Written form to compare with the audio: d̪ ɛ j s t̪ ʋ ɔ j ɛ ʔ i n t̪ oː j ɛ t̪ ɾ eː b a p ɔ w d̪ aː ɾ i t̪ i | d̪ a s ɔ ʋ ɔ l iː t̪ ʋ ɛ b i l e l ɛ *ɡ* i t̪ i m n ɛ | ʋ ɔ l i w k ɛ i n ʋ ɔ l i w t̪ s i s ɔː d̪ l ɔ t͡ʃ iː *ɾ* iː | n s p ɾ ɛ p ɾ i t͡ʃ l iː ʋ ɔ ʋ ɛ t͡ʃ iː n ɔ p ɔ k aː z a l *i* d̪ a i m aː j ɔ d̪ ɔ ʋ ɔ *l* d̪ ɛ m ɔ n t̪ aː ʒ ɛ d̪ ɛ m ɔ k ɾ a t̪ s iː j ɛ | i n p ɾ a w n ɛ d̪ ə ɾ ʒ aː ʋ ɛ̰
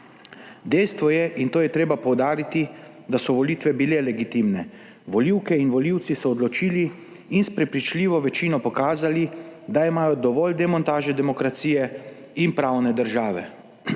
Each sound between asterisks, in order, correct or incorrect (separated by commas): correct, incorrect, correct, correct